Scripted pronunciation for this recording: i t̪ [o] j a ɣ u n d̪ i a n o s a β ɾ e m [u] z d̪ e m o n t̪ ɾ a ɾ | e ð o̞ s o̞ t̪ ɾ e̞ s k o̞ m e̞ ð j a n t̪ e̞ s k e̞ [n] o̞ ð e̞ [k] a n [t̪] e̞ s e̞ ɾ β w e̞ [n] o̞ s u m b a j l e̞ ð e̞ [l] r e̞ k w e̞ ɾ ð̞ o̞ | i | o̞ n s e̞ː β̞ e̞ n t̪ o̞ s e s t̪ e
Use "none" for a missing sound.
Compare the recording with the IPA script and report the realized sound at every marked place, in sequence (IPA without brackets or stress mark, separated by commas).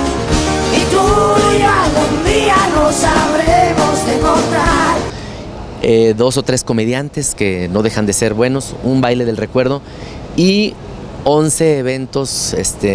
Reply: u, o, n, x, d̪, n, l